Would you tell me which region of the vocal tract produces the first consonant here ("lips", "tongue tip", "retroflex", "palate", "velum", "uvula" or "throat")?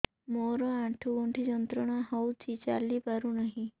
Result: lips